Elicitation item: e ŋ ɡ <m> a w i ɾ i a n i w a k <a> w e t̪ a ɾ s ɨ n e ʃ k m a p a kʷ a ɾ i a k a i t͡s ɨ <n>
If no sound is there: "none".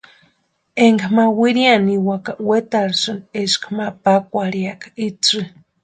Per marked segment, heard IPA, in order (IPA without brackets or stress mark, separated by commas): m, a, none